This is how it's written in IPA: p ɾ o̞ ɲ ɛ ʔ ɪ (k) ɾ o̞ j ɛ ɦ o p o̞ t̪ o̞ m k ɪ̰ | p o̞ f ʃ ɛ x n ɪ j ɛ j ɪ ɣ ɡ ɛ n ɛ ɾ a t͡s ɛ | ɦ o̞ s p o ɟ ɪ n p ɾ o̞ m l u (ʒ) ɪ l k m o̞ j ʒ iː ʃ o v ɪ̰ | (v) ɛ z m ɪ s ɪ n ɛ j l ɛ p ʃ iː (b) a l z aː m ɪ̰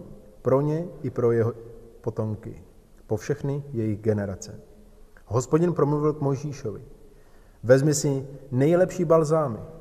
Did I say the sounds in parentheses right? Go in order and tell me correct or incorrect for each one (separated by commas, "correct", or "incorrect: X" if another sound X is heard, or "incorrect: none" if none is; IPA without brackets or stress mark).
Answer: incorrect: p, incorrect: v, correct, correct